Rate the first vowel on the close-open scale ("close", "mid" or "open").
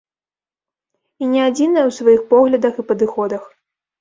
close